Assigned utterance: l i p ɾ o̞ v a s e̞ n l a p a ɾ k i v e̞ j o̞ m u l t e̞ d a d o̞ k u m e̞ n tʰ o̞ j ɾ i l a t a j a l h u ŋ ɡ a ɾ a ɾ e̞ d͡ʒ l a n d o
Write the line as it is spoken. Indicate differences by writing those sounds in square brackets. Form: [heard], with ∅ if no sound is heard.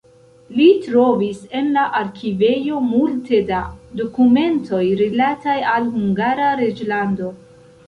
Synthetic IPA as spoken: l i [t] ɾ o̞ v [i] s e̞ n l a [ʔ] a ɾ k i v e̞ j o̞ m u l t e̞ d a d o̞ k u m e̞ n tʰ o̞ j ɾ i l a t a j a l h u ŋ ɡ a ɾ a ɾ e̞ d͡ʒ l a n d o